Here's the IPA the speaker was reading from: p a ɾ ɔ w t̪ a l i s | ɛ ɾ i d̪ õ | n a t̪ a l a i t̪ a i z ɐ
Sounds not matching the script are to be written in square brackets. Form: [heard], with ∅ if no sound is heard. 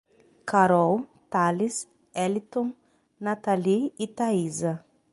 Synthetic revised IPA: [k] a ɾ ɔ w t̪ a l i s | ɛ [l] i [t̪] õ | n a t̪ a l [i] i t̪ a i z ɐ